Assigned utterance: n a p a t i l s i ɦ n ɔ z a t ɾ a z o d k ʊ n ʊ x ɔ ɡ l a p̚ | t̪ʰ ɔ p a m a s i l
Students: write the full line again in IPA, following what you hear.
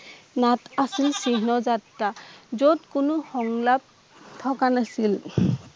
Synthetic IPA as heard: n a t a s i l s i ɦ n ɔ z a t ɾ a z o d k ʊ n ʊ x ɔ ŋ l a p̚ | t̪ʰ ɔ k a n a s i l